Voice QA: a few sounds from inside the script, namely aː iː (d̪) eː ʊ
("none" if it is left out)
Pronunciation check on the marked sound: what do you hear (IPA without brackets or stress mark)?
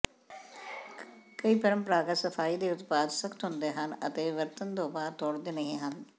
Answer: d̪